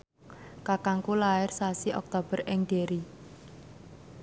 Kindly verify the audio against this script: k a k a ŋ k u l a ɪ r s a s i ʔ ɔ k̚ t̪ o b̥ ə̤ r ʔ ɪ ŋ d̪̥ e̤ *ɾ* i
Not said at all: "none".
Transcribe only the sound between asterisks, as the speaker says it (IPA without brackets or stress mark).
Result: ɾ